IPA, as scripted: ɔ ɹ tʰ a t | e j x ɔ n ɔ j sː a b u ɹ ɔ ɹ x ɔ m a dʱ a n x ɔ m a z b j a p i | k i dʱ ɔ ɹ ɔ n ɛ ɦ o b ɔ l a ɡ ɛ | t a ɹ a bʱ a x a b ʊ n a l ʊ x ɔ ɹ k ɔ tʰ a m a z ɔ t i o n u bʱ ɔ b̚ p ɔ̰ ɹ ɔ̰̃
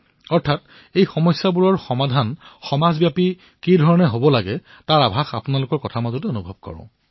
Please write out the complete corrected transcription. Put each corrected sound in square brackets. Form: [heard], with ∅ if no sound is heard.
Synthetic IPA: ɔ ɹ tʰ a t | e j x ɔ [m] ɔ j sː a b u ɹ ɔ ɹ x ɔ m a dʱ a n x ɔ m a z b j a p i | k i dʱ ɔ ɹ ɔ n ɛ ɦ o b ɔ l a ɡ ɛ | t a ɹ a bʱ a x a [p] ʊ n a l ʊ [k] ɔ ɹ k ɔ tʰ a m a z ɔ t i o n u bʱ ɔ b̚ [k] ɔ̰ ɹ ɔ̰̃

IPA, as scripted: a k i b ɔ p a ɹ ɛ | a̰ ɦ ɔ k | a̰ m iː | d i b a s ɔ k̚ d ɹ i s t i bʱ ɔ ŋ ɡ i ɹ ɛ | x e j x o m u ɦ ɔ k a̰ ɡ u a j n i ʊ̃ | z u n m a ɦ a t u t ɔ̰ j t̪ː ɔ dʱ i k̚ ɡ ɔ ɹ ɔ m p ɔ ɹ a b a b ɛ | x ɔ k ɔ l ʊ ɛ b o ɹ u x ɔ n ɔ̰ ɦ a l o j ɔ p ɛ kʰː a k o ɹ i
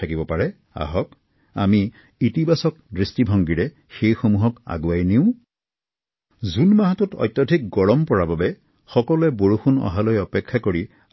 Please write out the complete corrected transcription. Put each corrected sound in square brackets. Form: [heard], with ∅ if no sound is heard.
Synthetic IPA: a k i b ɔ p a ɹ ɛ | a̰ ɦ ɔ k | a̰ m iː | [t] i b a s ɔ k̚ d ɹ i s t i bʱ ɔ ŋ ɡ i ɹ ɛ | x e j x o m u ɦ ɔ k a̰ ɡ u a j n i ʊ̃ | z u n m a ɦ a t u t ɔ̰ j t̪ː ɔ dʱ i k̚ ɡ ɔ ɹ ɔ m p ɔ ɹ a b a b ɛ | x ɔ k ɔ l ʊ ɛ b o ɹ u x [u] n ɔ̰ ɦ a l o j ɔ p ɛ kʰː a k o ɹ i

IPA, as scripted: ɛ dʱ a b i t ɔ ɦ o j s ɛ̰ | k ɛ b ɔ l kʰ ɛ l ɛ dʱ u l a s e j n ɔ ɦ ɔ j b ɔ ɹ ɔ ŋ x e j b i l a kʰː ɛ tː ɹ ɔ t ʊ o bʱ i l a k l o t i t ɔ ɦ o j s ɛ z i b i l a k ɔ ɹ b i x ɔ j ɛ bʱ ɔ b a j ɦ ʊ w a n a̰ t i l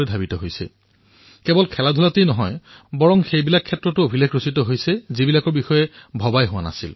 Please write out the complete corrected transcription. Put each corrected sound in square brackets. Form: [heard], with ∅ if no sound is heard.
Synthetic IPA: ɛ dʱ a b i t ɔ ɦ o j s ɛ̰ | k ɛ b ɔ l kʰ ɛ l [a] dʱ u l a [t] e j n ɔ ɦ ɔ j b ɔ ɹ ɔ ŋ x e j b i l a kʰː ɛ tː ɹ ɔ t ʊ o bʱ i l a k [ɹ] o [s] i t ɔ ɦ o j s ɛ z i b i l a k ɔ ɹ b i x ɔ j ɛ bʱ ɔ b a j ɦ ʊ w a n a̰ [s] i l

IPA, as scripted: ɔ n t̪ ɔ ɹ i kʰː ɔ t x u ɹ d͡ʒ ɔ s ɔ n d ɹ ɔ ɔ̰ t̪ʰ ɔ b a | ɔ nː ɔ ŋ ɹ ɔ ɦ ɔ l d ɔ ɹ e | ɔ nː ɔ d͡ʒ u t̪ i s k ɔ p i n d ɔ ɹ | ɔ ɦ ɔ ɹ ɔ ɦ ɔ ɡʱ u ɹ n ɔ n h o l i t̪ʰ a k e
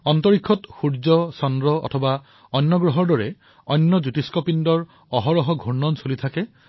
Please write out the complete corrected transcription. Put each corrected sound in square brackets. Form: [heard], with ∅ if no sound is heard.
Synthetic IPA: ɔ n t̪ ɔ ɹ i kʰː ɔ t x u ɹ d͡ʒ ɔ s ɔ n d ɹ ɔ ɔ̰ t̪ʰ ɔ b a | ɔ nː ɔ [ɡ] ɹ ɔ ɦ ɔ [ɹ] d ɔ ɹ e | ɔ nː ɔ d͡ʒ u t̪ i s k ɔ p i n d ɔ ɹ | ɔ ɦ ɔ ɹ ɔ ɦ ɔ ɡʱ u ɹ n ɔ n [s] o l i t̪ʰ a k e

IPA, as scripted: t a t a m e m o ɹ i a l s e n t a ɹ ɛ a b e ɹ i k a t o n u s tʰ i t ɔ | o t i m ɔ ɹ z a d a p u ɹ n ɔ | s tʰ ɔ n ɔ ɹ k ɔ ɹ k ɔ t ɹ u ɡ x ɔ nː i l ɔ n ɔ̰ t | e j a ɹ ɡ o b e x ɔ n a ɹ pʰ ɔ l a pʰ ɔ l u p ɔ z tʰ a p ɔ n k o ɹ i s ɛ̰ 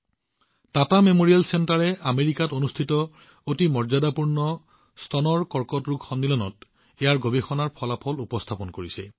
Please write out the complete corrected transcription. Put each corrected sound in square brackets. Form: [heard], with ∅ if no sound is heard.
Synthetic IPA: t a t a m e m o ɹ i a l s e n t a ɹ ɛ a [m] e ɹ i k a t o n u s tʰ i t ɔ | o t i m ɔ ɹ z a d a p u ɹ n ɔ | s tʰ ɔ n ɔ ɹ k ɔ ɹ k ɔ t ɹ u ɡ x ɔ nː i l ɔ n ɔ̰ t | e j a ɹ ɡ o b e x ɔ n a ɹ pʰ ɔ l a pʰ ɔ l u p ɔ [s] tʰ a p ɔ n k o ɹ i s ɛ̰

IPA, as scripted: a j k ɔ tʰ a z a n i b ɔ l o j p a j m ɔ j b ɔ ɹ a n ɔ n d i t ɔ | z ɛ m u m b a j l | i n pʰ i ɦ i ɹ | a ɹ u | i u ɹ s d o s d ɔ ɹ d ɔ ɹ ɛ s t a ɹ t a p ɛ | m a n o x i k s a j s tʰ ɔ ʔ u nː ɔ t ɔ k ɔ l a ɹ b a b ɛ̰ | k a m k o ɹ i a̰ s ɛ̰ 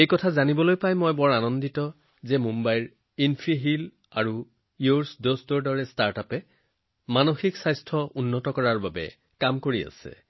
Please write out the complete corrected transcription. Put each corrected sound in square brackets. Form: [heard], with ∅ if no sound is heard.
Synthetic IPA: [e] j k ɔ tʰ a z a n i b ɔ l o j p a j m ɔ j b ɔ ɹ a n ɔ n d i t ɔ | z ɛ m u m b a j [ɹ] | i n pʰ i ɦ i [l] | a ɹ u | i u ɹ s d o s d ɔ ɹ d ɔ ɹ ɛ s t a ɹ t a p ɛ | m a n o x i k s a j s tʰ ɔ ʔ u nː ɔ t ɔ k ɔ [ɹ] a ɹ b a b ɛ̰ | k a m k o ɹ i a̰ s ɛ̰

